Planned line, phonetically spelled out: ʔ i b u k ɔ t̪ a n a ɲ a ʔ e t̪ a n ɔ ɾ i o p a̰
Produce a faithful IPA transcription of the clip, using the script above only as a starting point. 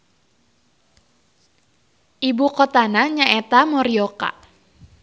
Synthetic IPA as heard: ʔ i b u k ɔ t̪ a n a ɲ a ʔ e t̪ a m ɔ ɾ i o k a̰